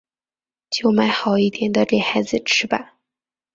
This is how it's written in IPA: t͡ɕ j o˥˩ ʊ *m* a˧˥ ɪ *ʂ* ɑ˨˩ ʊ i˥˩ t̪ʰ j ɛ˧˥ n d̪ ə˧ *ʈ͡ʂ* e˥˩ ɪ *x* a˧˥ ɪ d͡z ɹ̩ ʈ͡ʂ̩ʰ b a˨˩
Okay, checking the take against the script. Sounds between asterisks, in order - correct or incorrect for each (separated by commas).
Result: correct, incorrect, correct, correct